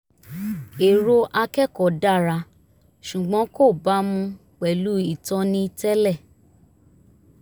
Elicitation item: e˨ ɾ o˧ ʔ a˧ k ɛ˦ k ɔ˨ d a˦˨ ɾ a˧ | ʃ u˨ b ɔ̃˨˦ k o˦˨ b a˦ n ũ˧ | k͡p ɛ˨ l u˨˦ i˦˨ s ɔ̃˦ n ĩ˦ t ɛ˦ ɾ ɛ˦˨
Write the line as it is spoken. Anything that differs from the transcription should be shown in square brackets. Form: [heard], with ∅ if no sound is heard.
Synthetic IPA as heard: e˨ ɾ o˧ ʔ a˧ k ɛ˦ k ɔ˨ d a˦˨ ɾ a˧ | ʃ u˨ [ɡ͡b] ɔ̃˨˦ k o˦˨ b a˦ [m] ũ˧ | k͡p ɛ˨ l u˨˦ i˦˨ [t] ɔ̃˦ n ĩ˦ t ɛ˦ [l] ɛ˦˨